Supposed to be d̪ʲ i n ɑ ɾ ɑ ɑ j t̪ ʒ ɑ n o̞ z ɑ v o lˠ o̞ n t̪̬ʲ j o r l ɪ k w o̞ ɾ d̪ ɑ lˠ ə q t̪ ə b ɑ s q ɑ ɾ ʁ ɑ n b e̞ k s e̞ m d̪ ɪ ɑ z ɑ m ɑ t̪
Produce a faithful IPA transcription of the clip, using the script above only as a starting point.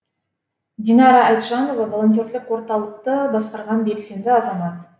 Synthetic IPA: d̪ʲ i n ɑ ɾ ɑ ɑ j t̪ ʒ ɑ n o̞ v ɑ v o lˠ o̞ n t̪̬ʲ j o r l ɪ k w o̞ ɾ t̪ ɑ lˠ ə q t̪ ə b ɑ s q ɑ ɾ ʁ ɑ n b e̞ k s e̞ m d̪ ɪ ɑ z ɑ m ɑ t̪